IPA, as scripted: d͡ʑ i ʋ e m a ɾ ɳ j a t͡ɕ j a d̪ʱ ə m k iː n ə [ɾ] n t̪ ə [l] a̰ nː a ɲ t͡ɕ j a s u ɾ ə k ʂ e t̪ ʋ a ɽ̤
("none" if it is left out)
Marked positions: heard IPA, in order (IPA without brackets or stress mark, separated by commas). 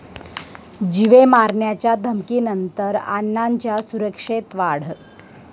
none, ɾ